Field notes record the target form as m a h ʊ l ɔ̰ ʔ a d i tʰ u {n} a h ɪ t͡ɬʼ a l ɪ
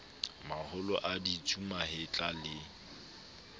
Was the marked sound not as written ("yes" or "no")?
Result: yes